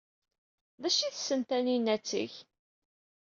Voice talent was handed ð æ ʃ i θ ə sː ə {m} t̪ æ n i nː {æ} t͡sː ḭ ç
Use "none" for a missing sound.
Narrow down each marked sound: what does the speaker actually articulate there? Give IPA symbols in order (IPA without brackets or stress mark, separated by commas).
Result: n, æ